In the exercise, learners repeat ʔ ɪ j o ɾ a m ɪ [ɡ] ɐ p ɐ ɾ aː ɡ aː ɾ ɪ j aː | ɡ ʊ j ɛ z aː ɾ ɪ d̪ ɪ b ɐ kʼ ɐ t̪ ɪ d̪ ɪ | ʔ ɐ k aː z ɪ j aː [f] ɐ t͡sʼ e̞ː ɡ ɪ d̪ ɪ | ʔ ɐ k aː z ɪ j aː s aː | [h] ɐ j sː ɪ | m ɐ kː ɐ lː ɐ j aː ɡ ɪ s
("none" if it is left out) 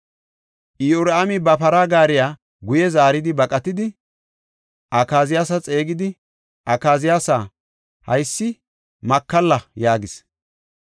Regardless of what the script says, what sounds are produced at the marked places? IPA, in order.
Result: b, s, h

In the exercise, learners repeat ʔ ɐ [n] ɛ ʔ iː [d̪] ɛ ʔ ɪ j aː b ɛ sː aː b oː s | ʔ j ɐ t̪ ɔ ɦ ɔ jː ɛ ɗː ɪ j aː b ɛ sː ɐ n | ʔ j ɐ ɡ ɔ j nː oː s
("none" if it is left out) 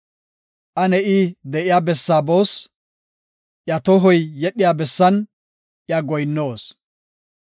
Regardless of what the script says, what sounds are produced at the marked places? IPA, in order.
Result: n, d̪

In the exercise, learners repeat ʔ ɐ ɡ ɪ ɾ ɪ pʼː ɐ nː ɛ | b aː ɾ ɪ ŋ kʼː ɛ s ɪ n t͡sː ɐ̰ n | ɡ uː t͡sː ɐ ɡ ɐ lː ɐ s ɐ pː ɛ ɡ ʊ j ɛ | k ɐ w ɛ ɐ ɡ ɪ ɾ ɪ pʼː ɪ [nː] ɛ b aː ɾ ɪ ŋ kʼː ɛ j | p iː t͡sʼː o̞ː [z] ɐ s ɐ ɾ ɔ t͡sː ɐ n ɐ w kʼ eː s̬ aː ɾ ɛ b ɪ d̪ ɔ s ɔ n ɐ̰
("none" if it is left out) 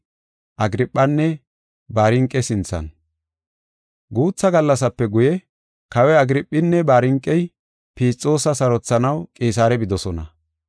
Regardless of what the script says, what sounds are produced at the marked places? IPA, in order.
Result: nː, s

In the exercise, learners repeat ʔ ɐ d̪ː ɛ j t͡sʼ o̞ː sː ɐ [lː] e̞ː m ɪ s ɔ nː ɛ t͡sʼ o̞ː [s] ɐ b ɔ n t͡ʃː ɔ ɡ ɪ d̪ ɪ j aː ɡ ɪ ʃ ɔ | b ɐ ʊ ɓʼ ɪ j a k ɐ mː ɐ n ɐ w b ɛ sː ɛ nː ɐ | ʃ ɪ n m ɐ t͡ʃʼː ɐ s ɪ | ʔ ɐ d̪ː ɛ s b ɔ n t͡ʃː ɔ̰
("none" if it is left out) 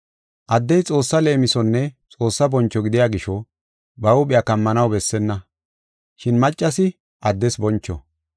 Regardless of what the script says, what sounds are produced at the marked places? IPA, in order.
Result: l, sː

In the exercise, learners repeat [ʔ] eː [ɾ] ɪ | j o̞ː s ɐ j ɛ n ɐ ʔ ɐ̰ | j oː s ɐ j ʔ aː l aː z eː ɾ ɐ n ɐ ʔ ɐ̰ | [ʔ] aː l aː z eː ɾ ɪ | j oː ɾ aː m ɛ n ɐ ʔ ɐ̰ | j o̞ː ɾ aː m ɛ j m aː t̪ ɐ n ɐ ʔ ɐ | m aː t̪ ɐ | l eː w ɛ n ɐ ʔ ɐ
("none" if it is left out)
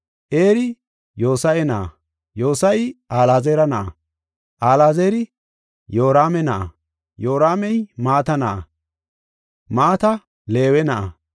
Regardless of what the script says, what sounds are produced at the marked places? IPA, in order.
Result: ʔ, ɾ, ʔ

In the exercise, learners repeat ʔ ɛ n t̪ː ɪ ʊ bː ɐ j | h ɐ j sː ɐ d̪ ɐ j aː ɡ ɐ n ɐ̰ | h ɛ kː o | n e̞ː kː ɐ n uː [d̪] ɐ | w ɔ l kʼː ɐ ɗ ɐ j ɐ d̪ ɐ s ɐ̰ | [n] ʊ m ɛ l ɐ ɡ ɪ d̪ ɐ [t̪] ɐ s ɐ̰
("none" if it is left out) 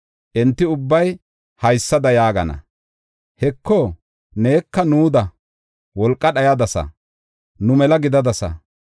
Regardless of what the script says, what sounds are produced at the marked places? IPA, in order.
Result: d̪, n, d̪

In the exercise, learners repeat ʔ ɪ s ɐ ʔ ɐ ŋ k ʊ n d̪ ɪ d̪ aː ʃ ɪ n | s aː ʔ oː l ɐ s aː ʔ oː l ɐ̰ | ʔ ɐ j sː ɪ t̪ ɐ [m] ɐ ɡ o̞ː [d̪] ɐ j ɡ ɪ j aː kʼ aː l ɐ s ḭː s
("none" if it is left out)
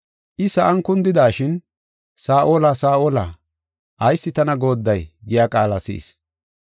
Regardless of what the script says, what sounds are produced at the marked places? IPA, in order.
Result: n, d̪ː

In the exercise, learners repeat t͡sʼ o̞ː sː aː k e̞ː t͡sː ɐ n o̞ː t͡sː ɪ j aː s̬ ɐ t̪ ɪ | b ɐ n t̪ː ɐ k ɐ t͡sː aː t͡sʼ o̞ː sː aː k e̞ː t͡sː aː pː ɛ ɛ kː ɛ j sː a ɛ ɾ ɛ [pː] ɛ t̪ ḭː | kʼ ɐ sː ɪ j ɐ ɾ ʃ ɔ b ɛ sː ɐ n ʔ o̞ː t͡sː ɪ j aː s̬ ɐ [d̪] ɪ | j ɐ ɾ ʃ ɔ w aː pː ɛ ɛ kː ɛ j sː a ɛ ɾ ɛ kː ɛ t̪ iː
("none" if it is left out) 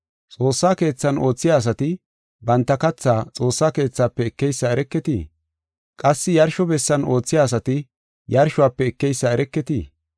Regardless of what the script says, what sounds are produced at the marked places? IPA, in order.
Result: kː, t̪

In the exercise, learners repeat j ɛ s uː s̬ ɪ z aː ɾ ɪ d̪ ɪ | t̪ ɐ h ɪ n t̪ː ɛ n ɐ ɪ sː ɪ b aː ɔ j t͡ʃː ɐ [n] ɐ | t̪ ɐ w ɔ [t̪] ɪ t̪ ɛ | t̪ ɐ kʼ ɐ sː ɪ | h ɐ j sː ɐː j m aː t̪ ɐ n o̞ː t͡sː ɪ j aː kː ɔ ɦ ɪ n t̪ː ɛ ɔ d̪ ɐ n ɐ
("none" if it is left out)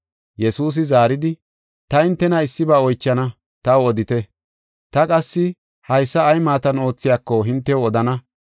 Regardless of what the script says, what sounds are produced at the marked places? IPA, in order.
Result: n, d̪

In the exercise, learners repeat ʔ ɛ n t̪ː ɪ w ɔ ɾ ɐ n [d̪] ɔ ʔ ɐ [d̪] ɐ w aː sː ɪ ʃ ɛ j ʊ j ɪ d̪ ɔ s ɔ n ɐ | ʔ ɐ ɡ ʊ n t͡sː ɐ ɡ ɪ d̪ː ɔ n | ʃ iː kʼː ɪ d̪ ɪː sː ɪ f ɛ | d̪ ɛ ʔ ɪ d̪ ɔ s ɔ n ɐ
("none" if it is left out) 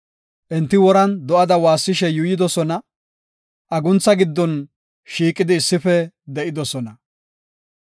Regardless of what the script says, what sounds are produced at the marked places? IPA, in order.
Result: d̪, d̪

